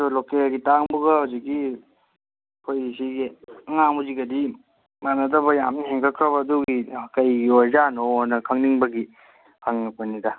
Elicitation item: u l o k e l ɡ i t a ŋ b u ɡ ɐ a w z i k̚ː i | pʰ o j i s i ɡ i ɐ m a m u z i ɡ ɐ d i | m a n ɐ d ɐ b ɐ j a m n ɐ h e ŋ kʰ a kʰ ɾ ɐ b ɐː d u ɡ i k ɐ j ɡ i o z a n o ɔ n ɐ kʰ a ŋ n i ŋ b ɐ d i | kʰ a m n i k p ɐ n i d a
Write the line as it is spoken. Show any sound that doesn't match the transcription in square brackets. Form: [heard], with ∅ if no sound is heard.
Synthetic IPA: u l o k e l ɡ i t a ŋ b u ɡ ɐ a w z i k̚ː i | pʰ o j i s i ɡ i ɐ [ŋ] a m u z i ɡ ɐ d i | m a n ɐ d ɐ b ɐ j a m n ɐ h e ŋ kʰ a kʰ ɾ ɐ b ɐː d u ɡ i k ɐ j ɡ i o z a n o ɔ n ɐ kʰ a ŋ n i ŋ b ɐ [ɡ] i | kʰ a [ŋ] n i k p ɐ n i d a